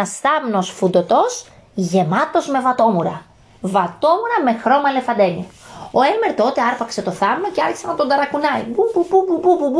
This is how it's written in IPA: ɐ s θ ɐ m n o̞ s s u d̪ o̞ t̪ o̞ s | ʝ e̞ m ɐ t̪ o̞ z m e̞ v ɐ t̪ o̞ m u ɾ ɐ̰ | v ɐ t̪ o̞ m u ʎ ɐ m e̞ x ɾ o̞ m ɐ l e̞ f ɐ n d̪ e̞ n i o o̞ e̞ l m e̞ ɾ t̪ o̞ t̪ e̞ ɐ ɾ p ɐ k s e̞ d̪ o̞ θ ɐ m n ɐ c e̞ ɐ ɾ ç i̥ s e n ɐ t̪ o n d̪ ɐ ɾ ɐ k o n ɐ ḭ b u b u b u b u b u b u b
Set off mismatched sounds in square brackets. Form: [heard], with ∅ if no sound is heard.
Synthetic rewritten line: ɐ s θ ɐ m n o̞ s [f] u d̪ o̞ t̪ o̞ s | ʝ e̞ m ɐ t̪ o̞ z m e̞ v ɐ t̪ o̞ m u ɾ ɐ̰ | v ɐ t̪ o̞ m u [ɾ] ɐ m e̞ x ɾ o̞ m ɐ l e̞ f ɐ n d̪ e̞ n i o o̞ e̞ l m e̞ ɾ t̪ o̞ t̪ e̞ ɐ ɾ p ɐ k s e̞ [t̪] o̞ θ ɐ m n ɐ c e̞ ɐ ɾ ç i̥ s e n ɐ t̪ o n d̪ ɐ ɾ ɐ k [u] n ɐ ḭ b u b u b u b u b u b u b